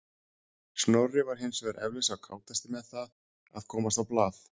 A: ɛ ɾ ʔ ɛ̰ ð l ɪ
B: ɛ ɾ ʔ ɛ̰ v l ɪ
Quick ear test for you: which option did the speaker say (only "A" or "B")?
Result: B